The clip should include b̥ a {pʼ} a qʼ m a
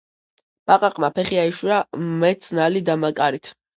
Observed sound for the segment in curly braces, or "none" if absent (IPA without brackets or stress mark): qʼ